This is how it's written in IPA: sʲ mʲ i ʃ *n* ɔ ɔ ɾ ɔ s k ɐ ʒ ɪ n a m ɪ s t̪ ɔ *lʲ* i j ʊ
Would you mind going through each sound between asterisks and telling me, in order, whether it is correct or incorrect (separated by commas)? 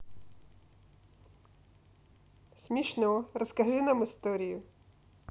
correct, incorrect